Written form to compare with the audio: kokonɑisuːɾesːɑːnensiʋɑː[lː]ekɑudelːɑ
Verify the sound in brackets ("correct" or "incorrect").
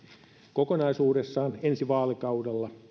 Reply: incorrect